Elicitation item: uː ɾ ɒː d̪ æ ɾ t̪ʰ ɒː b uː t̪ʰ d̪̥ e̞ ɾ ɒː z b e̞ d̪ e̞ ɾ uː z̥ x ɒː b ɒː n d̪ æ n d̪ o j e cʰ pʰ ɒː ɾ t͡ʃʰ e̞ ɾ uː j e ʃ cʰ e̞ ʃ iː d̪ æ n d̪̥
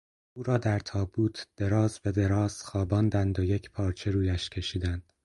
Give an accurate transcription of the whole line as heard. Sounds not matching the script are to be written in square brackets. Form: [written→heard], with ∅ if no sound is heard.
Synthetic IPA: uː ɾ ɒː d̪ æ ɾ t̪ʰ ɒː b uː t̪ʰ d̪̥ e̞ ɾ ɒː z b e̞ d̪ e̞ ɾ [uː→ɒː] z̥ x ɒː b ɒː n d̪ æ n d̪ o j e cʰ pʰ ɒː ɾ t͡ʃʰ e̞ ɾ uː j [e→æ] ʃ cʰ e̞ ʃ iː d̪ æ n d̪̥

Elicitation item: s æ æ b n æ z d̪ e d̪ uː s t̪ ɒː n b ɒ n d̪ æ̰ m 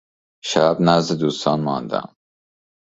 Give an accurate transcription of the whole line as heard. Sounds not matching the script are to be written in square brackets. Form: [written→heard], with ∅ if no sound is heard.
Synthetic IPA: [s→ʃ] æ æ b n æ z d̪ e d̪ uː s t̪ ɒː n [b→m] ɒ n d̪ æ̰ m

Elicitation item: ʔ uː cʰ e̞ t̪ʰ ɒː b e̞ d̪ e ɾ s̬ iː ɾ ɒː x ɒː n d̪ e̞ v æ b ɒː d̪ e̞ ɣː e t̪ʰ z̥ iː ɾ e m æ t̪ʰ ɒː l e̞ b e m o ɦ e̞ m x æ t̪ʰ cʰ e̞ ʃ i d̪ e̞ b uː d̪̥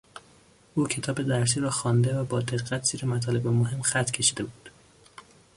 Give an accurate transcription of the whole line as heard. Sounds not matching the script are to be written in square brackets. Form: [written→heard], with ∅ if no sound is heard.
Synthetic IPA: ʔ uː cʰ e̞ t̪ʰ ɒː b e̞ d̪ [e→æ] ɾ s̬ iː ɾ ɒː x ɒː n d̪ e̞ v æ b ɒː d̪ e̞ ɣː [e→æ] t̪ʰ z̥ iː ɾ e m æ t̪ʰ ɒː l e̞ b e m o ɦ e̞ m x æ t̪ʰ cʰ e̞ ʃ i d̪ e̞ b uː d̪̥

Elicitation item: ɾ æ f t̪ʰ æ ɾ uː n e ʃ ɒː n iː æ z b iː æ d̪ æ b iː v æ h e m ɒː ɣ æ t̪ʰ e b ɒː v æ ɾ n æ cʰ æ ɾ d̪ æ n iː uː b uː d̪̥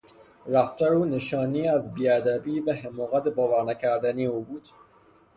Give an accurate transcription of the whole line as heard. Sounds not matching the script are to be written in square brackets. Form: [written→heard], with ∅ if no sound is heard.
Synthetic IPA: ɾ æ f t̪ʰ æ ɾ uː n e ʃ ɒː n iː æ z b iː æ d̪ æ b iː v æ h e m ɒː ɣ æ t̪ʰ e b ɒː v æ ɾ n æ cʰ æ ɾ d̪ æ n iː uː b uː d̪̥

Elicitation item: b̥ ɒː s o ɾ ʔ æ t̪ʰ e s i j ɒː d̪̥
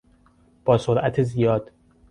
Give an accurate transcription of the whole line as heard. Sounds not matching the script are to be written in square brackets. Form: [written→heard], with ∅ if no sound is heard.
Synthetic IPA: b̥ ɒː s o ɾ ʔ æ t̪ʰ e [s→z] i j ɒː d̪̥

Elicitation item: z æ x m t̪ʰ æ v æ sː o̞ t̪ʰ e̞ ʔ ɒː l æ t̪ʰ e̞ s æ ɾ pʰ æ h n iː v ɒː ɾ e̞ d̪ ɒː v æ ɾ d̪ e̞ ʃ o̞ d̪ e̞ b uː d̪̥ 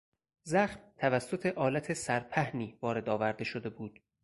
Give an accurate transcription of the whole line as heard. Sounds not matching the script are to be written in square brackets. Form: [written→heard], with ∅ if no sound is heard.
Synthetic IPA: z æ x m t̪ʰ æ v æ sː o̞ t̪ʰ e̞ ʔ ɒː l æ t̪ʰ e̞ s æ ɾ pʰ æ h n iː v ɒː ɾ e̞ d̪ ɒː v æ ɾ d̪ e̞ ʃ o̞ d̪ e̞ b uː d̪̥

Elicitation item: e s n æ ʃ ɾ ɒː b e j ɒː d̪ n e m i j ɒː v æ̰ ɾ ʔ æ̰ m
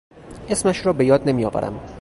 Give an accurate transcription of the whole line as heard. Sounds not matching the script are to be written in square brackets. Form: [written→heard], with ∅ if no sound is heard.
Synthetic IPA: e s [n→m] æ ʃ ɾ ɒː b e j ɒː d̪ n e m i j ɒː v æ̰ ɾ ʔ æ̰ m

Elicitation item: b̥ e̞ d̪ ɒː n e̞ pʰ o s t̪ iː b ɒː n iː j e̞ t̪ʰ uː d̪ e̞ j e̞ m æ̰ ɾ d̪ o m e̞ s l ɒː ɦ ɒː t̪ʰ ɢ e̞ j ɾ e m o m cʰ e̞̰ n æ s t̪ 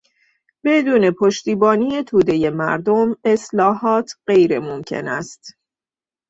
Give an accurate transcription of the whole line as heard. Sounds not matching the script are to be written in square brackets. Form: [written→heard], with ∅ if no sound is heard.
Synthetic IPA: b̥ e̞ d̪ [ɒː→uː] n e̞ pʰ o [s→ʃ] t̪ iː b ɒː n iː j e̞ t̪ʰ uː d̪ e̞ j e̞ m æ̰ ɾ d̪ o m e̞ s l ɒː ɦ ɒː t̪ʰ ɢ e̞ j ɾ e m o m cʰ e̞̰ n æ s t̪

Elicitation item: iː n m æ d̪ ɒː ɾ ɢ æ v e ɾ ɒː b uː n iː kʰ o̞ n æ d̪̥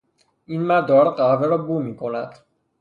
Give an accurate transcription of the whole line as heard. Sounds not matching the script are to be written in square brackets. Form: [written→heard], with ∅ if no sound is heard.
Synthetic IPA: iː n m æ d̪ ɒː ɾ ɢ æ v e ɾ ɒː b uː [n→m] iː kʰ o̞ n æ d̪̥

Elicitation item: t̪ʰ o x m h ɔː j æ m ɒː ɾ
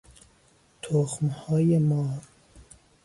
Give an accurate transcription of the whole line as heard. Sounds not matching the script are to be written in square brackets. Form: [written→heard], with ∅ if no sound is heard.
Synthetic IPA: t̪ʰ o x m h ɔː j [æ→e] m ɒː ɾ

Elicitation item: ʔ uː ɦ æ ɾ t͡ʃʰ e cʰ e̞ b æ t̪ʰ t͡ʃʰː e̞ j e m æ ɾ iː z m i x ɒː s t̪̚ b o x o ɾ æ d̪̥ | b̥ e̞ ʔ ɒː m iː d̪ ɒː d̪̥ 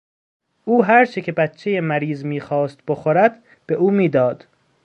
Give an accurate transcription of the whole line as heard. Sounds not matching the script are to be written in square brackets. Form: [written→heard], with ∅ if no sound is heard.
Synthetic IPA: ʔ uː ɦ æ ɾ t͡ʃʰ e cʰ e̞ b æ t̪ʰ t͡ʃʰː e̞ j e m æ ɾ iː z m [i→iː] x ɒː s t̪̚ b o x o ɾ æ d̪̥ | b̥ e̞ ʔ [ɒː→uː] m iː d̪ ɒː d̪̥

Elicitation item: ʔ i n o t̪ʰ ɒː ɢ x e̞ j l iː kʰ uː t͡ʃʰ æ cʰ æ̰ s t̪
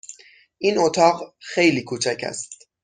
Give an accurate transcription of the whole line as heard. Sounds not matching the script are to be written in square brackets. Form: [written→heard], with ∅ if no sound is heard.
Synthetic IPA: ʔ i n o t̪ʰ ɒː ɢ x e̞ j l iː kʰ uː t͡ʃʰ æ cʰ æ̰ s t̪

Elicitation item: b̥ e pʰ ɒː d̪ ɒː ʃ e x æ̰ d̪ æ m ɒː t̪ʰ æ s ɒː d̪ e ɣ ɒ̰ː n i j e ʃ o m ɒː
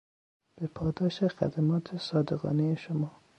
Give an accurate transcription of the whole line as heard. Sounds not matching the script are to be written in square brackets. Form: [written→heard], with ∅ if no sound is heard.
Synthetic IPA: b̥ e pʰ ɒː d̪ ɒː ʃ e x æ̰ d̪ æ m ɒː t̪ʰ [æ→e] s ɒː d̪ e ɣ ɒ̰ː n [i→e] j e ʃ o m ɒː

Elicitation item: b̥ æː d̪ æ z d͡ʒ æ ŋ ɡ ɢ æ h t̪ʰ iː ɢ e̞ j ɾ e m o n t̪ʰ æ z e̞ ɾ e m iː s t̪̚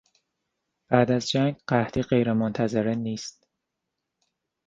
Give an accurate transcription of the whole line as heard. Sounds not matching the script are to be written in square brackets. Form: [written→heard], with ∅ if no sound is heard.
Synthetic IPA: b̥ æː d̪ æ z d͡ʒ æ ŋ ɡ ɢ æ h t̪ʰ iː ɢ e̞ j ɾ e m o n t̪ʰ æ z e̞ ɾ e [m→n] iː s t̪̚

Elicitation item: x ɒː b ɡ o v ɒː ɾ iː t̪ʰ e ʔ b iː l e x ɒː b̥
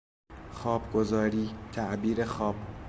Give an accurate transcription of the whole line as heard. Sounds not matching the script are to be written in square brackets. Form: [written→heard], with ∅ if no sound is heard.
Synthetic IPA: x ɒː b ɡ o [v→z] ɒː ɾ iː t̪ʰ [e→æ] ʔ b iː [l→ɾ] e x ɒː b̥

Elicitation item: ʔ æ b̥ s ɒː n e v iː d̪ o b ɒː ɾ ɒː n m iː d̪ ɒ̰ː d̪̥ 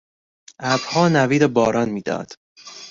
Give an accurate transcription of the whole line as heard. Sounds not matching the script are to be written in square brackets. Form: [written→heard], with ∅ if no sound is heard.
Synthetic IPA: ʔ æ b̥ [s→h] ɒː n [e→æ] v iː d̪ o b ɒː ɾ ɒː n m iː d̪ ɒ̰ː d̪̥

